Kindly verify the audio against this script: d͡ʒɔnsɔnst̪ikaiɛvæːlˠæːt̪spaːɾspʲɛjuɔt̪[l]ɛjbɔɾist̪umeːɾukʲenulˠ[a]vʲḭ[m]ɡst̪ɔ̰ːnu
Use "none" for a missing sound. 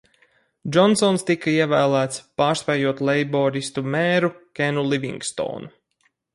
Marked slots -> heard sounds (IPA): l, i, ŋ

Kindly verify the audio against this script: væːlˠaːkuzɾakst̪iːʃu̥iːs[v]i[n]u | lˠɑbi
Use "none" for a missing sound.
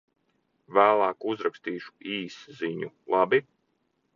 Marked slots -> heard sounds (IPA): z, ɲ

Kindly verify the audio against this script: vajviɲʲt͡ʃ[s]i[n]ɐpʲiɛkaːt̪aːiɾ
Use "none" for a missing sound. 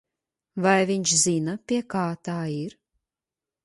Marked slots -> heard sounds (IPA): z, n

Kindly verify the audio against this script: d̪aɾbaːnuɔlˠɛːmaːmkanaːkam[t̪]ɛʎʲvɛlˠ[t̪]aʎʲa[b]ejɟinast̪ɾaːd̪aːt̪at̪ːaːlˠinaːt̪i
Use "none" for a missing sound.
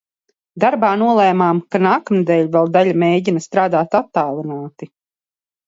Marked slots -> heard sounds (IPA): d̪, d̪, m

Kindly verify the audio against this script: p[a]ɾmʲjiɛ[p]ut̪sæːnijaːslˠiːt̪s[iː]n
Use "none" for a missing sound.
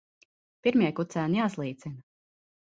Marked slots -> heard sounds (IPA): i, k, i

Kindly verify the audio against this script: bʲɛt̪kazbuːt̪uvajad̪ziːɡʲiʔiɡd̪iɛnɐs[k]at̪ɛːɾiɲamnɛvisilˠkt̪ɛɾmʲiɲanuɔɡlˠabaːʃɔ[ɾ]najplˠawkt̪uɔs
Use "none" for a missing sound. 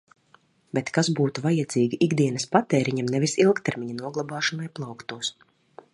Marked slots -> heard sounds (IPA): p, none

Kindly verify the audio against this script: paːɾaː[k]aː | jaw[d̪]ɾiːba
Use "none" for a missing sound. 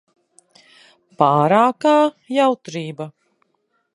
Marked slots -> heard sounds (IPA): k, t̪

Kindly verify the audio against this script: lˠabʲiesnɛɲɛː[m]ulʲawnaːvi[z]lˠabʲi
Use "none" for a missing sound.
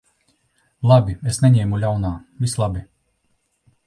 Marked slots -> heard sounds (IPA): m, s

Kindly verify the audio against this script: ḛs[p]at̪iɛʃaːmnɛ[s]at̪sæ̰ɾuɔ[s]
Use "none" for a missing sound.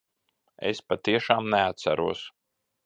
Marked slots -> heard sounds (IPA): p, none, s

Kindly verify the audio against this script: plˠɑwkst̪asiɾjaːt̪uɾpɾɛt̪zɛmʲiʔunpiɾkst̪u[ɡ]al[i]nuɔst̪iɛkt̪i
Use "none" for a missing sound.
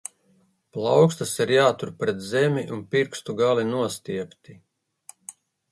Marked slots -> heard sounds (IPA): ɡ, i

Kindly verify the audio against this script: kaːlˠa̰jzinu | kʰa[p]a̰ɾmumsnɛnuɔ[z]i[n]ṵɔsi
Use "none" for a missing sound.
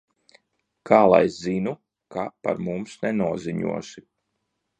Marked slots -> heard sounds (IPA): p, z, ɲ

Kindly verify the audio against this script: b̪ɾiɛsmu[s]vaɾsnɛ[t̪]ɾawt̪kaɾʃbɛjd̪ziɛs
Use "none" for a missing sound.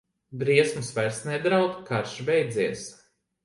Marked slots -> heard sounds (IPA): s, d̪

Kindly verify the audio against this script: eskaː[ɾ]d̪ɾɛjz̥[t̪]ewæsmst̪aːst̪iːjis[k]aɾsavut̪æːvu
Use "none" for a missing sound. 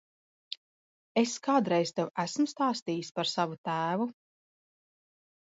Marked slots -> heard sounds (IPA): none, t̪, p

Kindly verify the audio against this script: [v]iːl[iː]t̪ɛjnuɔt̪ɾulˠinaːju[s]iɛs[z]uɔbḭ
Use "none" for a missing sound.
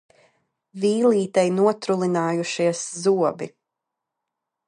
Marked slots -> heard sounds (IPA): v, iː, ʃ, z

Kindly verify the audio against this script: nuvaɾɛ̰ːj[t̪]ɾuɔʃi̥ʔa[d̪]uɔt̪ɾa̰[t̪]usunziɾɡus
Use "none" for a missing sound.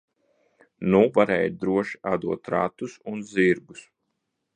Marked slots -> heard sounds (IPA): d̪, d̪, t̪

